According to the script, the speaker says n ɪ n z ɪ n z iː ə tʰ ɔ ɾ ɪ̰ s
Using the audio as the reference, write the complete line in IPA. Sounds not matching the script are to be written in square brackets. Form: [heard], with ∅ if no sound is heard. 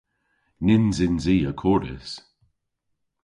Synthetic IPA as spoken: n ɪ n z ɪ n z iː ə [kʰ] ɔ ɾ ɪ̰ s